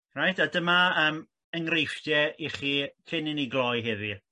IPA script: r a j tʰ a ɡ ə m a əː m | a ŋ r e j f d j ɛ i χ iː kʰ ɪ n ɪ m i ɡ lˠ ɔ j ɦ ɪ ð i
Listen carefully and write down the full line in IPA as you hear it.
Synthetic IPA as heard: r a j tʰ a d ə m a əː m | ə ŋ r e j f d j ɛ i χ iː kʰ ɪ n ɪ n i ɡ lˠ ɔ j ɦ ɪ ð i